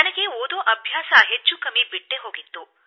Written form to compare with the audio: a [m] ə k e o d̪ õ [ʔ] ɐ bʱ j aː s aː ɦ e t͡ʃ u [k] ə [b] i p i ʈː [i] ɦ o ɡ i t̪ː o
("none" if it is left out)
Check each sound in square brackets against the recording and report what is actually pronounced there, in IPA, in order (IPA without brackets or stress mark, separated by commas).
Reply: n, ʔ, k, m, e